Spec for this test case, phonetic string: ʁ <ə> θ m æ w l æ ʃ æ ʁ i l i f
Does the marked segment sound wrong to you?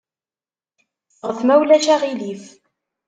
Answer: no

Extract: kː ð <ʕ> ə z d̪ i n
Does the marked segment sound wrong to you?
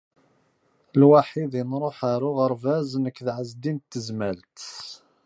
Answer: no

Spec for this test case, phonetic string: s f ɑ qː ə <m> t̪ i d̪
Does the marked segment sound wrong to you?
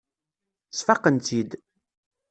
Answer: yes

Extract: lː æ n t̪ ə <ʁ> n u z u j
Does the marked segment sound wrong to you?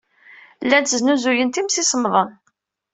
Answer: yes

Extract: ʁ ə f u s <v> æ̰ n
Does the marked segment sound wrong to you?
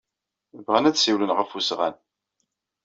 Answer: yes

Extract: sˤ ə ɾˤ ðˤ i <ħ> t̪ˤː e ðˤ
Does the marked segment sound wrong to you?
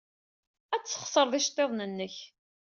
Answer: yes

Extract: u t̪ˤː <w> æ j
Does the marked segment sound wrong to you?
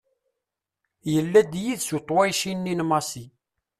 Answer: no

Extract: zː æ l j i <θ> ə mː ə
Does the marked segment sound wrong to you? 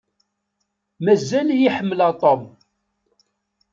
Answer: yes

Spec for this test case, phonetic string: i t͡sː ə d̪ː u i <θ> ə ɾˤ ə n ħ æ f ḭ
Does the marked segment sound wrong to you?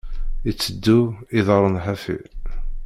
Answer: yes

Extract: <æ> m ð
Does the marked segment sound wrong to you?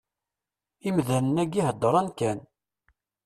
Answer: yes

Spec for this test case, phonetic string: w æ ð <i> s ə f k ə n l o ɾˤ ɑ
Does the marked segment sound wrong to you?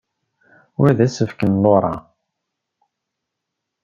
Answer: yes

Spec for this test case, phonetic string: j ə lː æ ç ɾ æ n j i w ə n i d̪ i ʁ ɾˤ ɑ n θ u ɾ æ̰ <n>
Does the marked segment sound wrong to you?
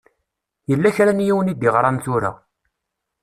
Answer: yes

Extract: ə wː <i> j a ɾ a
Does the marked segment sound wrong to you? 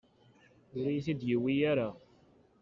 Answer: no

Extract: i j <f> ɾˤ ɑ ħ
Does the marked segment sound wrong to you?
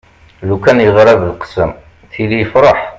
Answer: no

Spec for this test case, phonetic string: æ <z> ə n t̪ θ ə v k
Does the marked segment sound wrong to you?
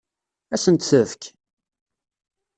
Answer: yes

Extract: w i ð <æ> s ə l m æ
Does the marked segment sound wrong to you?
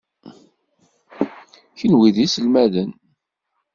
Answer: yes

